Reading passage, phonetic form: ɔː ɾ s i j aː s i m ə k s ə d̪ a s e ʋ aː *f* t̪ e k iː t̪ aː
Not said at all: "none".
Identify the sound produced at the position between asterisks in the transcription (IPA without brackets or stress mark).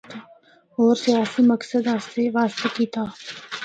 s